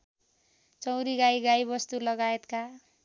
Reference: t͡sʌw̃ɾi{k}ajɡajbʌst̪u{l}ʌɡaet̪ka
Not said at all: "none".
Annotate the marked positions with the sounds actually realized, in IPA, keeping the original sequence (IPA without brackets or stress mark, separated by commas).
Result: ɡ, l